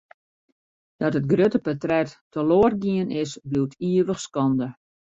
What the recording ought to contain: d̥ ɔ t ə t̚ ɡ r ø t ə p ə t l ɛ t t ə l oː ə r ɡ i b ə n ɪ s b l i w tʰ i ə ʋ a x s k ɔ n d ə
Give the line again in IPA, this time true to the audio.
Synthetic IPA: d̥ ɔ t ə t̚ ɡ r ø t ə p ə t r ɛ t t ə l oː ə r ɡ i ə n ɪ s b l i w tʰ i ə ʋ ə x s k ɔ n d ə